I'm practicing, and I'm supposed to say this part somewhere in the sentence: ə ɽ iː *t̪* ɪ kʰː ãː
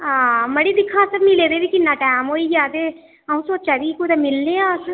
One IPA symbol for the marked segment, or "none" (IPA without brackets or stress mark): d̪